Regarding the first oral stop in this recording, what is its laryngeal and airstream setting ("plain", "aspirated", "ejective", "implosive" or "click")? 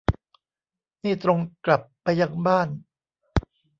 plain